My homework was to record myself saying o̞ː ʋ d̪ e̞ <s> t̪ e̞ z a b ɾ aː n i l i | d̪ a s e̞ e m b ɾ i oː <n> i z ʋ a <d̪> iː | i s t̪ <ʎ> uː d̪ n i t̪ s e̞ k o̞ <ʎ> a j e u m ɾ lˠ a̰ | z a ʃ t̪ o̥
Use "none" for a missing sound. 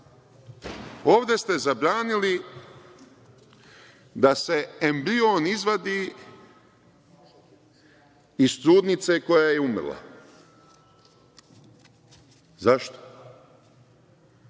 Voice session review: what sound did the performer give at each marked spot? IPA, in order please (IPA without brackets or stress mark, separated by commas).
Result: s, n, d̪, ɾ, j